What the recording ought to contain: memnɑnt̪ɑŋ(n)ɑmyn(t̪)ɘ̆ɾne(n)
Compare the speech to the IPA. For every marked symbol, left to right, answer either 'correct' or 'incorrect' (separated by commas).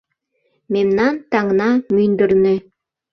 correct, incorrect, incorrect